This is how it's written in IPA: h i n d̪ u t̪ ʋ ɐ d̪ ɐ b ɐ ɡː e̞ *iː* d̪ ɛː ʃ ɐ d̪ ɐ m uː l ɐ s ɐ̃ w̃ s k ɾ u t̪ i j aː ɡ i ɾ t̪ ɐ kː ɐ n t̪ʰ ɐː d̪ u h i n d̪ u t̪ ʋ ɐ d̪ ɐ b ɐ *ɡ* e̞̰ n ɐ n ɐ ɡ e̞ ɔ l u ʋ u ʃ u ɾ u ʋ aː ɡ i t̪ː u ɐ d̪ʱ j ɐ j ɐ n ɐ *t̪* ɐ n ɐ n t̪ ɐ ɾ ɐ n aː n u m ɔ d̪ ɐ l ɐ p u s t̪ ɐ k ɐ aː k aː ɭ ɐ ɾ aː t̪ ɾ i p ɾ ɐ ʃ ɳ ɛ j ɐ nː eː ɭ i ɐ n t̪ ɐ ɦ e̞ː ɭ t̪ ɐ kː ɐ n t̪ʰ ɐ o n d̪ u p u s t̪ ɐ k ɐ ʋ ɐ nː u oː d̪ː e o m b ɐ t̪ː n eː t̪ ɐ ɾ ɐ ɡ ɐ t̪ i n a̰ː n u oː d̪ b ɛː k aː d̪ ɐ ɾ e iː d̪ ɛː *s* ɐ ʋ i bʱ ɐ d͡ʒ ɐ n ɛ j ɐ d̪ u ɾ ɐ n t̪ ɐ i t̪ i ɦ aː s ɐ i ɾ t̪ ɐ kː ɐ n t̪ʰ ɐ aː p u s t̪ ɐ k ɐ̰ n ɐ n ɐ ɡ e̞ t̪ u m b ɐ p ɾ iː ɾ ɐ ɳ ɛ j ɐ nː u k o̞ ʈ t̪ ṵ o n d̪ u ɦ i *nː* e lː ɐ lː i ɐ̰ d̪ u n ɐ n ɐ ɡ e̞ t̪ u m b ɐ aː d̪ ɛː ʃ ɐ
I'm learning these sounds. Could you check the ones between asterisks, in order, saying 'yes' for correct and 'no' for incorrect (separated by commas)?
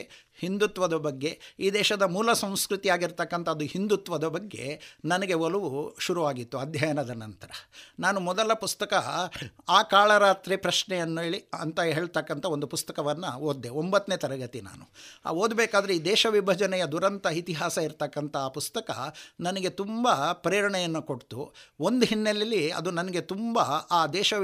yes, no, no, no, yes